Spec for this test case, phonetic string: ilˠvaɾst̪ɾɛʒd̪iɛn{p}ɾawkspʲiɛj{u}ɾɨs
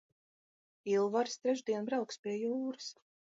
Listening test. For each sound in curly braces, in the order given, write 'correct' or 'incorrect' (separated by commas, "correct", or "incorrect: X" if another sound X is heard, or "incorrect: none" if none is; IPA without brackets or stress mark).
incorrect: b, incorrect: uː